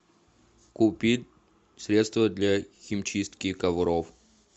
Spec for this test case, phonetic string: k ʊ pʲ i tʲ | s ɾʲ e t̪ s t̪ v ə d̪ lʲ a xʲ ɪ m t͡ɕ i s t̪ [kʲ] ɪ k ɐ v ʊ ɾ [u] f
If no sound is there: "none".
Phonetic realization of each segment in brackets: kʲ, o

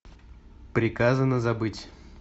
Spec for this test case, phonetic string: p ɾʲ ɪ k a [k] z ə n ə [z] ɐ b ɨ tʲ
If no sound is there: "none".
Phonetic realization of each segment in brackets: none, z

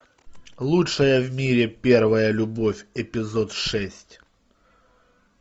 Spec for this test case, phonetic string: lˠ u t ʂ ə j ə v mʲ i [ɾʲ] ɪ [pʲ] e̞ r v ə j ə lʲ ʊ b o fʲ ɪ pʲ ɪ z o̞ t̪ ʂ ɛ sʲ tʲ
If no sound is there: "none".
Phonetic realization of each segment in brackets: ɾʲ, pʲ

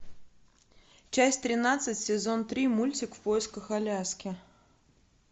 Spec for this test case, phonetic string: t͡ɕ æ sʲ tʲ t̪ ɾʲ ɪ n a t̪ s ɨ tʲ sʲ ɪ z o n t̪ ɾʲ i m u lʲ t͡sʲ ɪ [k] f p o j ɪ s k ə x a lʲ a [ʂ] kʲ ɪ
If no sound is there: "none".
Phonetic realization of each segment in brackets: k, s

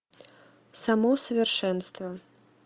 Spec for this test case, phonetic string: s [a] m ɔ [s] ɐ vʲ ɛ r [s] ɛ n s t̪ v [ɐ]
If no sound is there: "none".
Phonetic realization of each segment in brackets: a, s, ʂ, ɐ

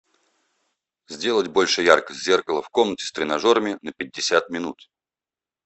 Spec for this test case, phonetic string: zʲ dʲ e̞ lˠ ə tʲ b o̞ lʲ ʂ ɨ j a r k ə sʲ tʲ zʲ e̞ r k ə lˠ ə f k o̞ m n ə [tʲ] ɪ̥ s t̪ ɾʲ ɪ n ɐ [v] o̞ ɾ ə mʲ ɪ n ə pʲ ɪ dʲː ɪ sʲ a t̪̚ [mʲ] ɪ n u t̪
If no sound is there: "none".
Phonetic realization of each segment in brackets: tʲ, ʐ, mʲ

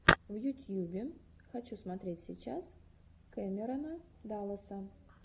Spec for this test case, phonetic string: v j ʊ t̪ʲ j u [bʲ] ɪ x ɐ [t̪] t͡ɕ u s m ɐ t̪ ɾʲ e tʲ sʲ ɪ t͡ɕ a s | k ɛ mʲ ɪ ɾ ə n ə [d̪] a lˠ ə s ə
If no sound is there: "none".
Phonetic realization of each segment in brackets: bʲ, none, d̪

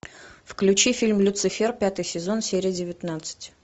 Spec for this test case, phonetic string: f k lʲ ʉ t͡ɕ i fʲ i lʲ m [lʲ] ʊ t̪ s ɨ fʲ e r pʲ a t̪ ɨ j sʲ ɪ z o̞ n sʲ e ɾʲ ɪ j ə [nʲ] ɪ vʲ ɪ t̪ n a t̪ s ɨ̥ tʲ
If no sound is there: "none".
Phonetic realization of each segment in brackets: lʲ, dʲ

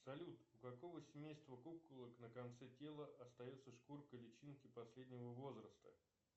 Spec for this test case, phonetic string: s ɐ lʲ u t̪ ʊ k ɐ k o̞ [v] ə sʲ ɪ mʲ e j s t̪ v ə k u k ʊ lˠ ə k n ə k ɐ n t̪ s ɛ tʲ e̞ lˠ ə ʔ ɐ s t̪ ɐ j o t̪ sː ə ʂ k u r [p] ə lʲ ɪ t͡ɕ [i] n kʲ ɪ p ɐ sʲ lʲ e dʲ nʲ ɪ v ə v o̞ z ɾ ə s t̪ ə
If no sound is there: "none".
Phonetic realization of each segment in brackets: v, k, i

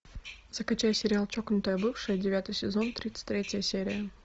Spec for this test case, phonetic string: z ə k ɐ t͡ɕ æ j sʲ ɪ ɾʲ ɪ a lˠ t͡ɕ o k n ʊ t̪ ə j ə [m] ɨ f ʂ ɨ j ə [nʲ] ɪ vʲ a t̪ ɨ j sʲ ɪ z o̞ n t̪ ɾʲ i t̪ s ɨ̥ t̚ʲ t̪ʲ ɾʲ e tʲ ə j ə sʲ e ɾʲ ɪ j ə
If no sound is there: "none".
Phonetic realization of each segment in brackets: b, dʲ

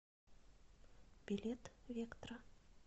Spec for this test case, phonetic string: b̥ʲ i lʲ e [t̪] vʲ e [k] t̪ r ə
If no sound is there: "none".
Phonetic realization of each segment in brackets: t̪, k

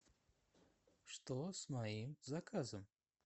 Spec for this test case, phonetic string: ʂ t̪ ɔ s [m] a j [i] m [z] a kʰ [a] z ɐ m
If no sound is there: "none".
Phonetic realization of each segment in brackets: m, i, z, a

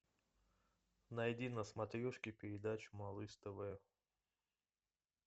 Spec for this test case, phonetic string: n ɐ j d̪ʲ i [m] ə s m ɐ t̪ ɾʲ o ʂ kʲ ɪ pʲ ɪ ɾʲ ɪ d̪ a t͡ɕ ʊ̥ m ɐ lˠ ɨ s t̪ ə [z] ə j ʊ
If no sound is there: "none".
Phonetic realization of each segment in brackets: n, v

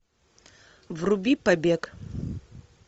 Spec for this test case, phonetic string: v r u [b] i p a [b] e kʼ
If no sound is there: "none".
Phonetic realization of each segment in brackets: b, b

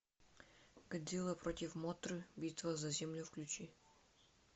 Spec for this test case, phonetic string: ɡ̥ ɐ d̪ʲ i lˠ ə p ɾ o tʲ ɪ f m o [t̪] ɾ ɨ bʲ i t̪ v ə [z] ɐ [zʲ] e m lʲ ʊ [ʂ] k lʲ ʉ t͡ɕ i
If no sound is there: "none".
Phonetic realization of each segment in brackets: t̪, z, zʲ, f

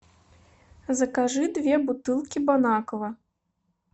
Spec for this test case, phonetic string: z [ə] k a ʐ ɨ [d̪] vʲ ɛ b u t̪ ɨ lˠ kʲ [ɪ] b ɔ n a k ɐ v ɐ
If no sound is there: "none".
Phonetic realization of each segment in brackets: ɐ, d̪, i

